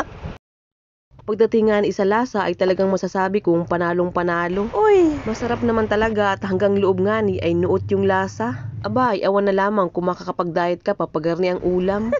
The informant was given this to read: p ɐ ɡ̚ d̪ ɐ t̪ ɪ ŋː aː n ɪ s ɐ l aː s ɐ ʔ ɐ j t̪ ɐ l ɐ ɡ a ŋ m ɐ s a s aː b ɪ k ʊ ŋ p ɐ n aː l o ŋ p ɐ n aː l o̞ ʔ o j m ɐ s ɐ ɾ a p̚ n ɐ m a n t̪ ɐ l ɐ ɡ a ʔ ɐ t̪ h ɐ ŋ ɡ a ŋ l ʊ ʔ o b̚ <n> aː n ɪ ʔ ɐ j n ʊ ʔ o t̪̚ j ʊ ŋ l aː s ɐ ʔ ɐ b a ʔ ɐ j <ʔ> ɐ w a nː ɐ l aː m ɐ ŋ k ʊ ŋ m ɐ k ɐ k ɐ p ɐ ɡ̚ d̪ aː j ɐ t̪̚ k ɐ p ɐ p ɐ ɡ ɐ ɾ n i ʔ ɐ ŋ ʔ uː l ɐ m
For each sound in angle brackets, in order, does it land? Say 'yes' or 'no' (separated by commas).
no, yes